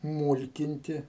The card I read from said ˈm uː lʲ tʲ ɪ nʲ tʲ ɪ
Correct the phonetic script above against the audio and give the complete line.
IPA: ˈm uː lʲ kʲ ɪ nʲ tʲ ɪ

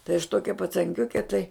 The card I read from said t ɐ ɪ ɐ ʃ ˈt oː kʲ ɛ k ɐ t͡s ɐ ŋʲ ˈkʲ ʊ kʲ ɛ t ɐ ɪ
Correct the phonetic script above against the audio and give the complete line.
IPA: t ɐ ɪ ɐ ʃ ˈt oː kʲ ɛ p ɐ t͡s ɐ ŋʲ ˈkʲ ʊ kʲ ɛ t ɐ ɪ

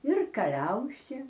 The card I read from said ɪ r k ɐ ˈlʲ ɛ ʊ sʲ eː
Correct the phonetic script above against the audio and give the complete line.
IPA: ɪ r k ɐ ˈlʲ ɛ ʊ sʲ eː

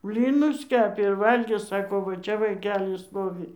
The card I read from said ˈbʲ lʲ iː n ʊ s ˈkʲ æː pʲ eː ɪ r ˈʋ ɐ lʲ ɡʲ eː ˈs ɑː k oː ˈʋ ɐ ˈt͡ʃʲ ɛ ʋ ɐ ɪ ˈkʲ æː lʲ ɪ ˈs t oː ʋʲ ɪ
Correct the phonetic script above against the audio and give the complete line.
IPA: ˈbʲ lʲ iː n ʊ s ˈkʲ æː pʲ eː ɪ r ˈʋ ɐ lʲ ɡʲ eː ˈs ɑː k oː ˈʋ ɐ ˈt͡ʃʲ ɛ ʋ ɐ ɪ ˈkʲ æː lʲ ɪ ˈs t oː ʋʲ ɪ

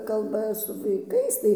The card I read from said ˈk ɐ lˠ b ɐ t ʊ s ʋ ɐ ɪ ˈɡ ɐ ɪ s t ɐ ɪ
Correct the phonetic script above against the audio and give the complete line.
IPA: ˈk ɐ lˠ b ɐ s ʊ ʋ ɐ ɪ ˈk ɐ ɪ s t ɐ ɪ

